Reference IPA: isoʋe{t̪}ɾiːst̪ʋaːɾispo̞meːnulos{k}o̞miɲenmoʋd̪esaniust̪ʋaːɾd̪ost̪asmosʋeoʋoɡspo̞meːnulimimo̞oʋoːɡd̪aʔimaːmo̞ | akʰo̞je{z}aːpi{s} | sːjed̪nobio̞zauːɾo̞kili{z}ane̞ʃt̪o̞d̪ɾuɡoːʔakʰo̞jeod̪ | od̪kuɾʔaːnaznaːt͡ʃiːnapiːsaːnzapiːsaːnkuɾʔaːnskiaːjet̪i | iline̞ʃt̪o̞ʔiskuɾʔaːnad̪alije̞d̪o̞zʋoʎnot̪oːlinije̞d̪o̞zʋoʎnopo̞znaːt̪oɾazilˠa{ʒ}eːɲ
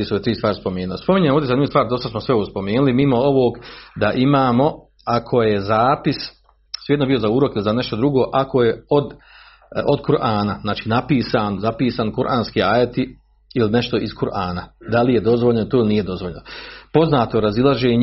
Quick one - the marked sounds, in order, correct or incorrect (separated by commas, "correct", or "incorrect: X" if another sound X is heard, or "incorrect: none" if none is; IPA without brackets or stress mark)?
correct, incorrect: p, correct, correct, correct, correct